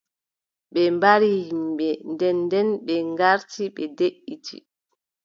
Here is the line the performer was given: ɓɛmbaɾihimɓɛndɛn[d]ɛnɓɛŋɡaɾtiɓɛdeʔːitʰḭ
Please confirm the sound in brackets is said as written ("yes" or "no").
yes